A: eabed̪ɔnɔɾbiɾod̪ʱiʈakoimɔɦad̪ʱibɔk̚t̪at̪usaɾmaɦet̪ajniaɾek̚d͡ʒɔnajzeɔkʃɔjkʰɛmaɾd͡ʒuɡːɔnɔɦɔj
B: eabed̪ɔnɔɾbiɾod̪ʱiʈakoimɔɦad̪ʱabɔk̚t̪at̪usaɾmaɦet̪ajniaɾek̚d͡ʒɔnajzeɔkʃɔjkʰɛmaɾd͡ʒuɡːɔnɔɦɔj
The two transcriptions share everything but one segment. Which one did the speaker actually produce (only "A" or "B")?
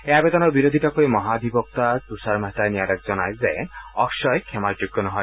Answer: A